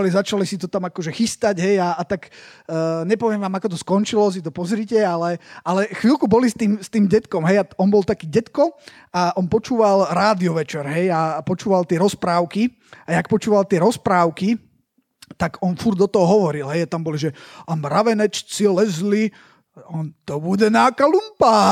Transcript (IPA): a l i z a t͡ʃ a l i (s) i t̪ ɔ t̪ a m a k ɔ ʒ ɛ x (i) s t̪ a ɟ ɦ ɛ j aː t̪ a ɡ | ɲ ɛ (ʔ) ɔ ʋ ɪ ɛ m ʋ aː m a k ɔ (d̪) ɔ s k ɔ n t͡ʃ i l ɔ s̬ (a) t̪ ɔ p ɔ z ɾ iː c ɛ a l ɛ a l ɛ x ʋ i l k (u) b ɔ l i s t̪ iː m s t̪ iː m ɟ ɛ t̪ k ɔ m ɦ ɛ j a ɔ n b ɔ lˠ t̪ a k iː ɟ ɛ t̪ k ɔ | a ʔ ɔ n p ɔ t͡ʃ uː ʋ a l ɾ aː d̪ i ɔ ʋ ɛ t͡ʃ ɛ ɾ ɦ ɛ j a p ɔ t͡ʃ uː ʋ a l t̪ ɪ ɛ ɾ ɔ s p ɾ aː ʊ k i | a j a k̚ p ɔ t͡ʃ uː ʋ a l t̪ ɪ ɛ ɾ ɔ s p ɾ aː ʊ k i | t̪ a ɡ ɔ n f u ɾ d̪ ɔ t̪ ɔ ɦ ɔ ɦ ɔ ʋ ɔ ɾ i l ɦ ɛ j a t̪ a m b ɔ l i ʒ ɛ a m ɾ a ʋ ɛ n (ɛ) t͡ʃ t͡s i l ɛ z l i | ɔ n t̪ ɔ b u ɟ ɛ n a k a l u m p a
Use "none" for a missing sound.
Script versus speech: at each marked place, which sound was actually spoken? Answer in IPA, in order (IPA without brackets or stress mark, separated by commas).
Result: s, i, p, t̪, i, u, ɛ